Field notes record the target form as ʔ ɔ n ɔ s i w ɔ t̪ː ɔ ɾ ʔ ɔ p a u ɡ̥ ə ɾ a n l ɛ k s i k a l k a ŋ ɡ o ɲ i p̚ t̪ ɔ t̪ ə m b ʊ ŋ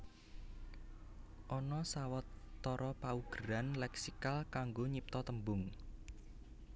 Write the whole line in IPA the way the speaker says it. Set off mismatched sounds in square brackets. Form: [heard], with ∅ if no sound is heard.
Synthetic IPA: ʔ ɔ n ɔ s [a] w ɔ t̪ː ɔ ɾ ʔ ɔ p a u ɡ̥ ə ɾ a n l ɛ k s i k a l k a ŋ ɡ o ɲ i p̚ t̪ ɔ t̪ ə m b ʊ ŋ

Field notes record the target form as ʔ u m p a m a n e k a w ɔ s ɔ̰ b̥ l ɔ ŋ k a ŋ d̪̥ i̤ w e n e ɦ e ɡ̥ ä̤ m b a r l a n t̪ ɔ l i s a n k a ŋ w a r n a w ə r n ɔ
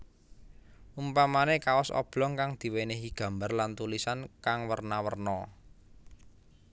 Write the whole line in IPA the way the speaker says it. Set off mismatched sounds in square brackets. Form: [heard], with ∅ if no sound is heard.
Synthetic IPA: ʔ u m p a m a n e k a w ɔ s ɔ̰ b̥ l ɔ ŋ k a ŋ d̪̥ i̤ w e n e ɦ [i] ɡ̥ ä̤ m b a r l a n t̪ [u] l i s a n k a ŋ w [ə] r n a w ə r n ɔ

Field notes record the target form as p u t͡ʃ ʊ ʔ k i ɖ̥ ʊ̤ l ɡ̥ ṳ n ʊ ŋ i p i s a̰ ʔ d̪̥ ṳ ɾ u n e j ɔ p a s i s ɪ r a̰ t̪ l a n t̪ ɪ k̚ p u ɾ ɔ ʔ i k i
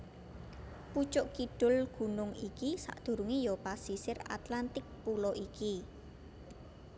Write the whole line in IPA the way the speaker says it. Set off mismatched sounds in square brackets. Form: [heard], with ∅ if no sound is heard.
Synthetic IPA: p u t͡ʃ ʊ ʔ k i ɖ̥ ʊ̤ l ɡ̥ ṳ n ʊ ŋ i [k] i s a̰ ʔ d̪̥ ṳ ɾ u [ŋ] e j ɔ p a s i s ɪ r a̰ t̪ l a n t̪ ɪ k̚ p u [l] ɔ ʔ i k i

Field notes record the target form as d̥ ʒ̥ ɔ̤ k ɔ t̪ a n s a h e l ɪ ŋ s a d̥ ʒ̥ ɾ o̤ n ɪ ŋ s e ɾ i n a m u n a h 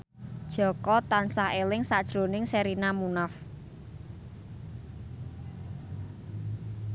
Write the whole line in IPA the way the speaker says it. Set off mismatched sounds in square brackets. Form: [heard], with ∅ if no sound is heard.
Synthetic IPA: d̥ ʒ̥ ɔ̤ k ɔ t̪ a n s a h e l ɪ ŋ s a d̥ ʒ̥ ɾ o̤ n ɪ ŋ s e ɾ i n a m u n a [f]

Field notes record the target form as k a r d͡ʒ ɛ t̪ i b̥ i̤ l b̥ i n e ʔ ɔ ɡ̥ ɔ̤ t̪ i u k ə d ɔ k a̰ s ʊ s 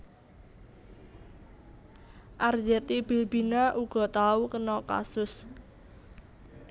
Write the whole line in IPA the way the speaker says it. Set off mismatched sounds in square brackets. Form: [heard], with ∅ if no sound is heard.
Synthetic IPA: [ʔ] a r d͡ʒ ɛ t̪ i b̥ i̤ l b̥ i n [a] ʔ [u] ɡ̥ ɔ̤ t̪ [a] u k ə [n] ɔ k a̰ s ʊ s

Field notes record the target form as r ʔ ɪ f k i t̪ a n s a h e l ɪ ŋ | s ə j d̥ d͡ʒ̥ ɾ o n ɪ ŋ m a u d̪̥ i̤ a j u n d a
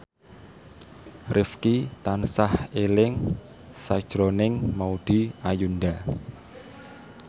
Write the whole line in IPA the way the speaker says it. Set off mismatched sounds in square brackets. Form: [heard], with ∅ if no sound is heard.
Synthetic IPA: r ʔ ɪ f k i t̪ a n s a h e l ɪ ŋ | s [a] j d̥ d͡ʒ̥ ɾ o n ɪ ŋ m a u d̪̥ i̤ a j u n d a

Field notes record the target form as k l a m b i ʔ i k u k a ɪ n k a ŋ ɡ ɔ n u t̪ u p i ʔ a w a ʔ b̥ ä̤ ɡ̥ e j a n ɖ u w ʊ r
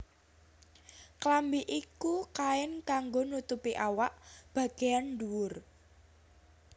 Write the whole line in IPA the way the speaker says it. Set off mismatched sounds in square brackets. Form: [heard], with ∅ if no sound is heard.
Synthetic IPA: k l a m b i ʔ i k u k a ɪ n k a ŋ ɡ [o] n u t̪ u p i ʔ a w a ʔ b̥ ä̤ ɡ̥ e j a n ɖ u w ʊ r

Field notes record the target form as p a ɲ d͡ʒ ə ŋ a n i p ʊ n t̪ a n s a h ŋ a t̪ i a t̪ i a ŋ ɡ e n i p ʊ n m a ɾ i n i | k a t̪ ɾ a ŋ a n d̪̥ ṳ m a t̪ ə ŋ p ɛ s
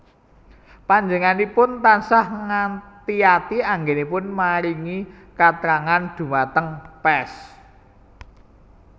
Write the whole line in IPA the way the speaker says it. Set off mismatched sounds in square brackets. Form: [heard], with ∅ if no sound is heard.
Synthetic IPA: p a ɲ d͡ʒ ə ŋ a n i p ʊ n t̪ a n s a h ŋ a t̪ i a t̪ i a ŋ ɡ e n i p ʊ n m a ɾ i [ŋ] i | k a t̪ ɾ a ŋ a n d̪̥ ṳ m a t̪ ə ŋ p ɛ s

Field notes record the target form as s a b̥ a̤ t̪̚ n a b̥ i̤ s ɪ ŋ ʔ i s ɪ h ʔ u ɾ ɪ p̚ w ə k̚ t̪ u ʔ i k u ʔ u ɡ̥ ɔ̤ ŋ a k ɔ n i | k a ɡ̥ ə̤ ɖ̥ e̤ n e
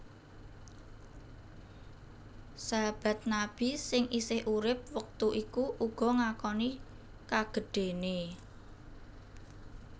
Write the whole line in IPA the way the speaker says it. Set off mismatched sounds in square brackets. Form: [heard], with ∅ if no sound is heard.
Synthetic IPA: s a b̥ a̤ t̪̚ n a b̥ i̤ s ɪ ŋ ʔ i s ɪ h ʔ u ɾ ɪ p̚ w ə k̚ t̪ u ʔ i k u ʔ u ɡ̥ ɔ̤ ŋ a k ɔ n i | k a ɡ̥ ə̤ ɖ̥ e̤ n e

